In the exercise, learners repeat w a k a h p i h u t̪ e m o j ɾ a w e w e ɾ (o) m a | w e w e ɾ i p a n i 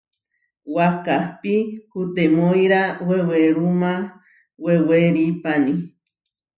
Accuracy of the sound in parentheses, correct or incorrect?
incorrect